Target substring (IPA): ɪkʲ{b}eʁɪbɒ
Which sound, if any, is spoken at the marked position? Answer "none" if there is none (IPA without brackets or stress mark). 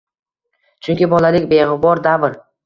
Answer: b